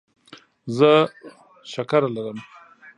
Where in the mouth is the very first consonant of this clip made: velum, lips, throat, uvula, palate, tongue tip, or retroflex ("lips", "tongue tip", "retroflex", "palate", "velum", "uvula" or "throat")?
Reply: tongue tip